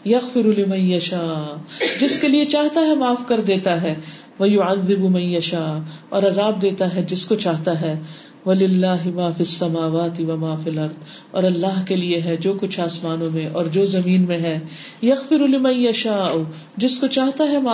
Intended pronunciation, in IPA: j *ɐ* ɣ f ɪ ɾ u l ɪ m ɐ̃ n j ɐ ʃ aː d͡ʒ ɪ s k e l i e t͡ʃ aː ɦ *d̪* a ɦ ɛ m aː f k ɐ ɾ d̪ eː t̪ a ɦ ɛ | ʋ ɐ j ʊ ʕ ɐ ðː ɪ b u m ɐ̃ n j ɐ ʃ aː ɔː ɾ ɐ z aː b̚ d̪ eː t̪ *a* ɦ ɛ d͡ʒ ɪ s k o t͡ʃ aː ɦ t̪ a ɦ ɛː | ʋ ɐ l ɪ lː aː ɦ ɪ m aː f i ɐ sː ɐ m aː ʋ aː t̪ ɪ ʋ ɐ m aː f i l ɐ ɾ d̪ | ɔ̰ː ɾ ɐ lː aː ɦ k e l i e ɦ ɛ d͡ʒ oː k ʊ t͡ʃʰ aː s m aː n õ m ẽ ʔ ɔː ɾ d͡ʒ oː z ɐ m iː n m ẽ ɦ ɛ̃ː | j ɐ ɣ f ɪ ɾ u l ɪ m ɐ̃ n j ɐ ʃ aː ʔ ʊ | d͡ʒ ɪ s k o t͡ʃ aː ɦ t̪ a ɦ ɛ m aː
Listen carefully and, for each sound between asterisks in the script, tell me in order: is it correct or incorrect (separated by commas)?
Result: correct, incorrect, correct